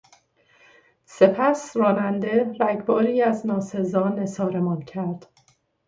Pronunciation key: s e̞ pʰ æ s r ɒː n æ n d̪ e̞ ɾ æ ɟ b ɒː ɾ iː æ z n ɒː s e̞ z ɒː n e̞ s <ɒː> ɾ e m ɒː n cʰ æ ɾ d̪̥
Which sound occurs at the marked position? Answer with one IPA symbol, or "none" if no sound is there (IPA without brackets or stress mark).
ɒː